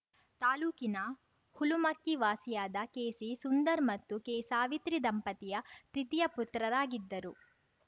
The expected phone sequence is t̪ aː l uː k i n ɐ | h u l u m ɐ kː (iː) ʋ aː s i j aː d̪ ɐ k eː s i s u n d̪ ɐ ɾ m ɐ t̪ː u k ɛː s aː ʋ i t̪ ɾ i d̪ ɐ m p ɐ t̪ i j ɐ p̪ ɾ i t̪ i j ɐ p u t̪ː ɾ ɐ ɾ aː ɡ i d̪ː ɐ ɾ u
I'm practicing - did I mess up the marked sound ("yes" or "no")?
yes